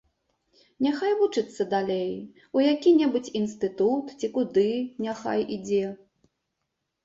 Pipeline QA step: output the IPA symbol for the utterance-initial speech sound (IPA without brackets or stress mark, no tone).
nʲ